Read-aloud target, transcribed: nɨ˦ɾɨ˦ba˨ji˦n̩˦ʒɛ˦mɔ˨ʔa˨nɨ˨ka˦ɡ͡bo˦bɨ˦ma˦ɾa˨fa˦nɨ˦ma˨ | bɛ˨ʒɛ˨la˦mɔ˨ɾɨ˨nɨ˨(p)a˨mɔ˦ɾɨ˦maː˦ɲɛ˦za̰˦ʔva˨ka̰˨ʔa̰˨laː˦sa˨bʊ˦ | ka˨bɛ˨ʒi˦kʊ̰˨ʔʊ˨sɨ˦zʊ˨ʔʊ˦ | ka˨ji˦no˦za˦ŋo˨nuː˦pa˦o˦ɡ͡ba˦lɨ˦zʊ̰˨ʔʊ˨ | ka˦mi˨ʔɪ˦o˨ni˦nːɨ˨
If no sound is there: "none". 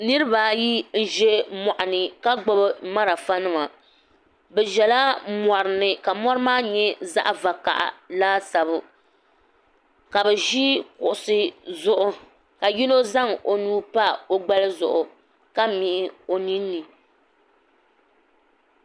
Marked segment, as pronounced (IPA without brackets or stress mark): k